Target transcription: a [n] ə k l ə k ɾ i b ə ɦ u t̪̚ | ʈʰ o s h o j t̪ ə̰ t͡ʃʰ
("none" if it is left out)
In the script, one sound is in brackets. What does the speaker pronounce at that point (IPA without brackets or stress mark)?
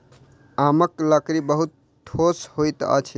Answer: m